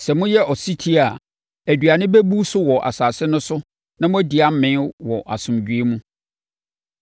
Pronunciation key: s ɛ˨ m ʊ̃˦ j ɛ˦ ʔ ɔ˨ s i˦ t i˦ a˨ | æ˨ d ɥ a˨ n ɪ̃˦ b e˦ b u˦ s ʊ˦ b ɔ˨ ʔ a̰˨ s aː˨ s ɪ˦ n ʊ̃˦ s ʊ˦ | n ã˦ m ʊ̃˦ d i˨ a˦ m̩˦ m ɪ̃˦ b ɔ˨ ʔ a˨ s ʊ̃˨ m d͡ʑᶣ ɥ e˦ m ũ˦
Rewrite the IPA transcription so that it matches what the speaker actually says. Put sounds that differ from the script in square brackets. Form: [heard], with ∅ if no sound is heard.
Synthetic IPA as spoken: s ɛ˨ m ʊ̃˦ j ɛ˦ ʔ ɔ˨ s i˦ [tʰ] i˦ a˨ | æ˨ d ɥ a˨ n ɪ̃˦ b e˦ b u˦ s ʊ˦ [w] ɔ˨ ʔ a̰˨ s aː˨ s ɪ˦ n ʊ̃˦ s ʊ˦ | n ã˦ m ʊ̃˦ d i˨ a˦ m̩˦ m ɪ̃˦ [w] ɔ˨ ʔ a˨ s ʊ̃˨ m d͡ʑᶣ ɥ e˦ m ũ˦